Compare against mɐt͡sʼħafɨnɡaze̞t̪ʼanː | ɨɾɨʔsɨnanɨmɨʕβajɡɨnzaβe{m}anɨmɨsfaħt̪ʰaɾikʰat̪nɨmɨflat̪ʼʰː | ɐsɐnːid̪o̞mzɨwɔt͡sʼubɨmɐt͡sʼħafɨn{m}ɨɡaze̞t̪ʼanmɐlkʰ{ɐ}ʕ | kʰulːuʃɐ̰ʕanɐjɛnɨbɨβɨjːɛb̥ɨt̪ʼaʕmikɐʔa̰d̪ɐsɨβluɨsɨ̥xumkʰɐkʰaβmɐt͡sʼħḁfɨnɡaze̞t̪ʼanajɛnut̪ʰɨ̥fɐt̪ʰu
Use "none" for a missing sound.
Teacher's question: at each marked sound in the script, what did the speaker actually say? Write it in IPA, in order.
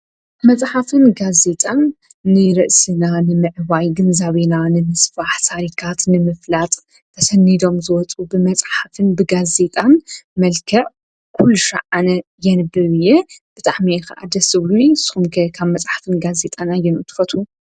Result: n, b, ɐ

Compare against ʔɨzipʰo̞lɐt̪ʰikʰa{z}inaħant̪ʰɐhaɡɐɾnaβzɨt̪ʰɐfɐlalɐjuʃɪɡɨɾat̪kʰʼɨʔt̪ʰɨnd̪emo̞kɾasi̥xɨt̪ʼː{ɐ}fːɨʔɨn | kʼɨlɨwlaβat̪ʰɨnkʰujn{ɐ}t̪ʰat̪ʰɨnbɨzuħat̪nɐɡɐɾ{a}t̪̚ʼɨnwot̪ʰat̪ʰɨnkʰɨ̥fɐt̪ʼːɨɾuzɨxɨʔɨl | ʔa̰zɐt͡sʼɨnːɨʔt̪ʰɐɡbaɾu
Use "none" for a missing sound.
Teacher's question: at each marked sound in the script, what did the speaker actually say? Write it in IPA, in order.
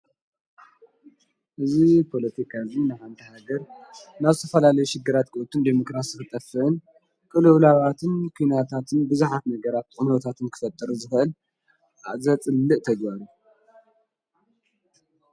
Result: z, ɐ, a, a

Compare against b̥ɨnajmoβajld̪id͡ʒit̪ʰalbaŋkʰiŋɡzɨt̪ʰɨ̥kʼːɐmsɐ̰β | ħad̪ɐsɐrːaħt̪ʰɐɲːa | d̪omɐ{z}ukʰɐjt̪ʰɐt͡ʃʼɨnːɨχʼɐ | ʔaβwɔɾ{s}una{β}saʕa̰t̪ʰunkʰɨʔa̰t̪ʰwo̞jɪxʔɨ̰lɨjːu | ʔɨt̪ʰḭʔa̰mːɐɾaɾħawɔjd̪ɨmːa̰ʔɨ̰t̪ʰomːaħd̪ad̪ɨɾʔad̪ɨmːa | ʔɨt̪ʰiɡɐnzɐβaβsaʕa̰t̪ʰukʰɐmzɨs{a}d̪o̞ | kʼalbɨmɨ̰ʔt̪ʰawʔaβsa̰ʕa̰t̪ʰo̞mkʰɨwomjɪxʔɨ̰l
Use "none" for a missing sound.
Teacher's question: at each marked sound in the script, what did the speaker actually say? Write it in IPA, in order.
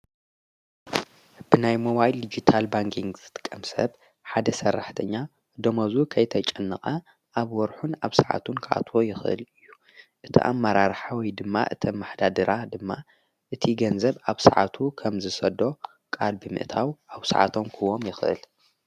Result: z, ħ, β, ɐ

